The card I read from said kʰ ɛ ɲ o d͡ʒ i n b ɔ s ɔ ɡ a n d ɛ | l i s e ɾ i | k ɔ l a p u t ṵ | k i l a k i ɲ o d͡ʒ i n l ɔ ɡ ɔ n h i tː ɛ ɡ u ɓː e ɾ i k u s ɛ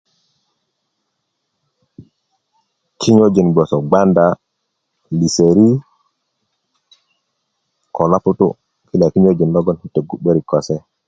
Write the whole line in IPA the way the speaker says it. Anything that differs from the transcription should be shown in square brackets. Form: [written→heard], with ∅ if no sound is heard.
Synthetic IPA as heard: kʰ [ɛ→i] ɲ o d͡ʒ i n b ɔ s ɔ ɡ a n d [ɛ→a] | l i s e ɾ i | k ɔ l a p u t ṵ | k i l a k i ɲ o d͡ʒ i n l ɔ ɡ ɔ n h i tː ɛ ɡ u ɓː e ɾ i k [u→ɔ] s ɛ